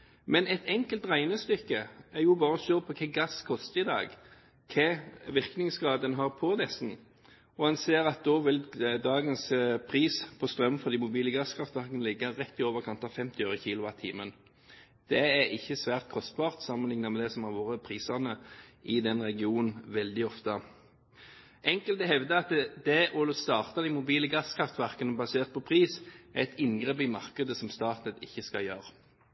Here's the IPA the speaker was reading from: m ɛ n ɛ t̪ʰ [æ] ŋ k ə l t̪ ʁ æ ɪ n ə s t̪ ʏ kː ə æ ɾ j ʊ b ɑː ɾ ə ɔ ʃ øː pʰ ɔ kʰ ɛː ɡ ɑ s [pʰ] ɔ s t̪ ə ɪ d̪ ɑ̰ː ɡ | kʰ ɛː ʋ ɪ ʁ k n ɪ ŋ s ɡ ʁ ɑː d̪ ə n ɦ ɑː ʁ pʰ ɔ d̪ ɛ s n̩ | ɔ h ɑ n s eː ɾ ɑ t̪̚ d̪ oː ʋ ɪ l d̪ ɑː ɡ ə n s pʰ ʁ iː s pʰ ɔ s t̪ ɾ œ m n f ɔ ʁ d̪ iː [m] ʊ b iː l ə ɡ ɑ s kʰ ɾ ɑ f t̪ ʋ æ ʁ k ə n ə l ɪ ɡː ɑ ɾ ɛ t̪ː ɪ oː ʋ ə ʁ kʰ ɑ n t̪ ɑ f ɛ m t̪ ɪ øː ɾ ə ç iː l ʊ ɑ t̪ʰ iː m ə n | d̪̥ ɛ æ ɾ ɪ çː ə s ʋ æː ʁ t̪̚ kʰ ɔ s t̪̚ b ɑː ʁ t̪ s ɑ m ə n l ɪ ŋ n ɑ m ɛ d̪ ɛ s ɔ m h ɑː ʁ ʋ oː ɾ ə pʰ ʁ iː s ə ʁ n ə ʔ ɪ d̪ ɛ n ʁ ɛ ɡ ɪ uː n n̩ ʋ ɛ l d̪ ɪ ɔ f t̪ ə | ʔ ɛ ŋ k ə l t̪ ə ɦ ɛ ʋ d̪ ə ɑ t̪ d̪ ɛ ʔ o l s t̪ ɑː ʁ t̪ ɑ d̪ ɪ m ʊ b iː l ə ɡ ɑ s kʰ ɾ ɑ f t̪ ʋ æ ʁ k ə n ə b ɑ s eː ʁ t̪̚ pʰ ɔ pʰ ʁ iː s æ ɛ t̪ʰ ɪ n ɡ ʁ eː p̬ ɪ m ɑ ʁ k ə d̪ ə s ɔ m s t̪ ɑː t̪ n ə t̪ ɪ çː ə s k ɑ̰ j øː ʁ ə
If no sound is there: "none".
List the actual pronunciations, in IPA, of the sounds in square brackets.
ɛ, kʰ, m

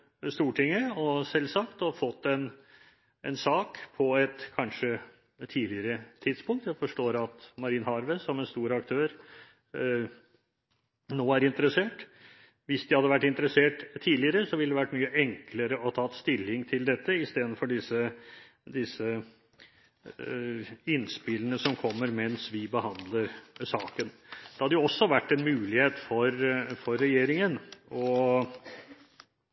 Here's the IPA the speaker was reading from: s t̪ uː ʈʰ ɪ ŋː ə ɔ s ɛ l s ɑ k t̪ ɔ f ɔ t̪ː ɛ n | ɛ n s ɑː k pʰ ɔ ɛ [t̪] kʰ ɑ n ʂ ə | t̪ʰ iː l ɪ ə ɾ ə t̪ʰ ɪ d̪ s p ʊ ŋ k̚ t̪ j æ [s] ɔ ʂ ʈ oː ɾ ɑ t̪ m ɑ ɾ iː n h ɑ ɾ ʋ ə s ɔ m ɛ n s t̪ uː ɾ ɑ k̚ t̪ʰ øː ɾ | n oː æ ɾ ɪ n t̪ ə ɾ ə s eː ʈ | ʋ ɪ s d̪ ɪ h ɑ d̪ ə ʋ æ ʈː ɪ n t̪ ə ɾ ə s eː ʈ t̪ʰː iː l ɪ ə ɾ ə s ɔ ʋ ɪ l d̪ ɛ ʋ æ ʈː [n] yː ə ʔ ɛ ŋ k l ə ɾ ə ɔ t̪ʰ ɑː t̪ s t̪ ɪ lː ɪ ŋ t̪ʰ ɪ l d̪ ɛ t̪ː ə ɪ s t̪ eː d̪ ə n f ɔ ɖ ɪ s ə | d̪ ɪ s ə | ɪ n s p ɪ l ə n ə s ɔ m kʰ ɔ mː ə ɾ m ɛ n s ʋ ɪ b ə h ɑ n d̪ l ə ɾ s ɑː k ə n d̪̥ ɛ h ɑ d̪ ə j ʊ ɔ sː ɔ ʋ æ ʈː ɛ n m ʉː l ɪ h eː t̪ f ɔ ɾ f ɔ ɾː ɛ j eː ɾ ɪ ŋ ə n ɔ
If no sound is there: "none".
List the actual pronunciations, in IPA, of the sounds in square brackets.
t̪, f, m

